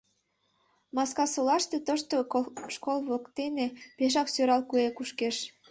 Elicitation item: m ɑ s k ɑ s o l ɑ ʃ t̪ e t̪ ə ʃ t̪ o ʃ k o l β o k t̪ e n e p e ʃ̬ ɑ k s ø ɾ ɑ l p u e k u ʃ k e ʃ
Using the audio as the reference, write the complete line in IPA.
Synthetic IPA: m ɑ s k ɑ s o l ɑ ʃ t̪ e t̪ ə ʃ t̪ o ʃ k o l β o k t̪ e n e p e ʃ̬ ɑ k s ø ɾ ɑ l k u e k u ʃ k e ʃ